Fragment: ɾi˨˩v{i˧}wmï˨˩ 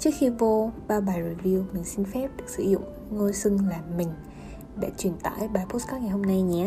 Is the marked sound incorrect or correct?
correct